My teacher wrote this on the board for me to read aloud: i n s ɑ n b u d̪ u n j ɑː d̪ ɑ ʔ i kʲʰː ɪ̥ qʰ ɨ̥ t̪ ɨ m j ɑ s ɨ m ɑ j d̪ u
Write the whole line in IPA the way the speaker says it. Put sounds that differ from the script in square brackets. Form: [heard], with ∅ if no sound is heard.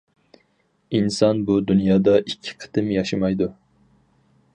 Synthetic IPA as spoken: i n s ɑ n b u d̪ u n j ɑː d̪ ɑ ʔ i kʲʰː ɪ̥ qʰ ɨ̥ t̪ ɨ m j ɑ [ʃ] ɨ m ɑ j d̪ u